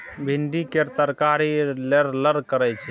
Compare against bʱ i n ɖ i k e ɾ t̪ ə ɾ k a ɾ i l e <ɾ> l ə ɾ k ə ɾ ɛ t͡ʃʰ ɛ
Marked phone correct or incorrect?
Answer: correct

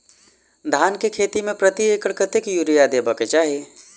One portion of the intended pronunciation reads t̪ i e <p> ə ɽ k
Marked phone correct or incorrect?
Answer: incorrect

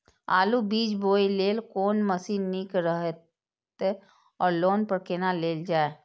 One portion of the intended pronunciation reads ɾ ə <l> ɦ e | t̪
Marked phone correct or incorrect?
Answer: incorrect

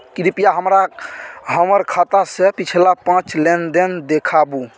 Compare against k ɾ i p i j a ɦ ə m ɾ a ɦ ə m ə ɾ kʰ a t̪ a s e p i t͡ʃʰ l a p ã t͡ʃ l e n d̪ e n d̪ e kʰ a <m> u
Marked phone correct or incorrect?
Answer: incorrect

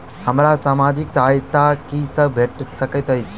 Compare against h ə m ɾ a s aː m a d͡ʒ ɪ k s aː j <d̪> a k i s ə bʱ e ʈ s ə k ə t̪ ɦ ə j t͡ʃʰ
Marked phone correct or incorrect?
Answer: incorrect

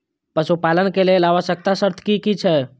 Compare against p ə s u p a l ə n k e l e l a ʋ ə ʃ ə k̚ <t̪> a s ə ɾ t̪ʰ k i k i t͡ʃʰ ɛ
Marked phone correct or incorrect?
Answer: correct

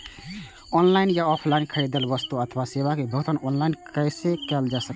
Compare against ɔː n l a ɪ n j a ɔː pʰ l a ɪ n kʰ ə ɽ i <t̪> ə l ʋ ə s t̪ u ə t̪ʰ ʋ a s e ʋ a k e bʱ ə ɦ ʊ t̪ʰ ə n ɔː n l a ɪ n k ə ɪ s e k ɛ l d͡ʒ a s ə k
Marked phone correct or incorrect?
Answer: incorrect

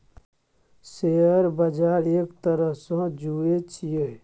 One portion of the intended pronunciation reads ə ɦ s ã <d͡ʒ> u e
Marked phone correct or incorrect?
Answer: correct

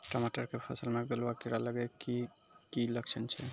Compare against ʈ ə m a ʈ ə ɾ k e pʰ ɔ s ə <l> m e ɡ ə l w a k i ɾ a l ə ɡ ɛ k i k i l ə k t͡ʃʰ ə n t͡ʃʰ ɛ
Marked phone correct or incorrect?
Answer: correct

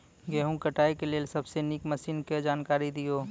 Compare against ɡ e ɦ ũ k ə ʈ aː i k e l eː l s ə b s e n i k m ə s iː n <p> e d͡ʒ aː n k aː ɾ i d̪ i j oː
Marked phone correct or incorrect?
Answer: incorrect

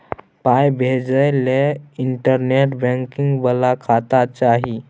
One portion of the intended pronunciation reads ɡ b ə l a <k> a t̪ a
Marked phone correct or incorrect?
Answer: incorrect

